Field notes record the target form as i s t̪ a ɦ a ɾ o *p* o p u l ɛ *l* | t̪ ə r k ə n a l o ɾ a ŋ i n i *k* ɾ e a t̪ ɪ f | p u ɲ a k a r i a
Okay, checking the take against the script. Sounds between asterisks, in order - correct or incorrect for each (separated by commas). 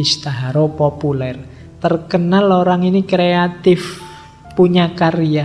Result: correct, incorrect, correct